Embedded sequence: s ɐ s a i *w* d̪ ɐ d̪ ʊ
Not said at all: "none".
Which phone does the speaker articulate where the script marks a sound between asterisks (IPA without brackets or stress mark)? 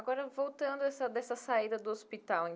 none